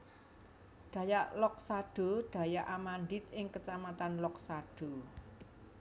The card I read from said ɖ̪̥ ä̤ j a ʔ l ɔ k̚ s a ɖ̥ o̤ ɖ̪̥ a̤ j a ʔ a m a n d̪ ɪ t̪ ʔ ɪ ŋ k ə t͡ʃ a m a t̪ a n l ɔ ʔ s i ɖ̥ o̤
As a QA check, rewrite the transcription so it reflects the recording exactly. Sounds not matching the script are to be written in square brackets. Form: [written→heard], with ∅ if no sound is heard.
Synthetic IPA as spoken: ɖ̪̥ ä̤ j a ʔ l ɔ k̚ s a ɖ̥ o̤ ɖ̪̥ a̤ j a ʔ a m a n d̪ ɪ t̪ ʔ ɪ ŋ k ə t͡ʃ a m a t̪ a n l ɔ [ʔ→k] s [i→a] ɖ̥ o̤